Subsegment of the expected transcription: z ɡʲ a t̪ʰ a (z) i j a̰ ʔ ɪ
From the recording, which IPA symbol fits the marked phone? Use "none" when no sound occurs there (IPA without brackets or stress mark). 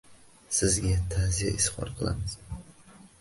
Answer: z